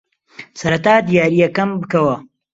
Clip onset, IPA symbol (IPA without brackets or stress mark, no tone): s